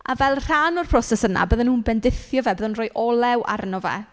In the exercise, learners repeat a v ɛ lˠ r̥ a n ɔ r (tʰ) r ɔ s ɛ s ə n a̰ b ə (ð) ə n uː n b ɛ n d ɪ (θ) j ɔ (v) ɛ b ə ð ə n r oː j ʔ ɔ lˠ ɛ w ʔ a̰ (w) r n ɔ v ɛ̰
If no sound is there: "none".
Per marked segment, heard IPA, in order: pʰ, ð, θ, v, none

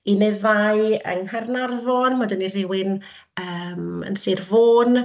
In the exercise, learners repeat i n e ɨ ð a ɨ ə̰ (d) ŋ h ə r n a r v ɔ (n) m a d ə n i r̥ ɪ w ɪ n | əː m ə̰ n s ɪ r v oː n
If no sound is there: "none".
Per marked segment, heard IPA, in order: none, n

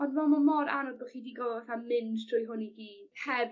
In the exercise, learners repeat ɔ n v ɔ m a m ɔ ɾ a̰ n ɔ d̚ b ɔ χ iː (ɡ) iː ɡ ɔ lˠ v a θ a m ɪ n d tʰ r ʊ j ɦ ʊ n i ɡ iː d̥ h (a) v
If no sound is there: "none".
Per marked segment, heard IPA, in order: d, ɛ

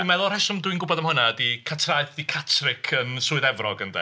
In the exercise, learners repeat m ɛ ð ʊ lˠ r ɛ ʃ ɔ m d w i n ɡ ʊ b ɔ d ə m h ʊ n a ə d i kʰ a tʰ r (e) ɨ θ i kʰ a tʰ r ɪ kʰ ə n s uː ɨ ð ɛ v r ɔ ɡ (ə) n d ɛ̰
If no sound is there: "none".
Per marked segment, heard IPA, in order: a, ə

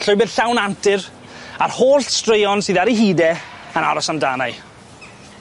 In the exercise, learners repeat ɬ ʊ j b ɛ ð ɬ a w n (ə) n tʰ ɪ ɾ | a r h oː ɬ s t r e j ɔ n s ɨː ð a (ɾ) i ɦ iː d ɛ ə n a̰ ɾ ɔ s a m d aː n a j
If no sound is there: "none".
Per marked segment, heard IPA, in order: a, ɾ

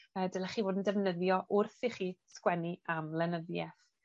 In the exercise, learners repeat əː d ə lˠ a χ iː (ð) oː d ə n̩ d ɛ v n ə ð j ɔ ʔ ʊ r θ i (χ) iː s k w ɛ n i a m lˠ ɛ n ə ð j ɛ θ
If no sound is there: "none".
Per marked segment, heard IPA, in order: v, χ

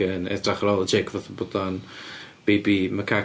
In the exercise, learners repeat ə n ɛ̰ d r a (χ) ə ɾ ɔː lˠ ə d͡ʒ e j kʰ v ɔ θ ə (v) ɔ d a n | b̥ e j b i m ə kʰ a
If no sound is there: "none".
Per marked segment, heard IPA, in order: χ, b

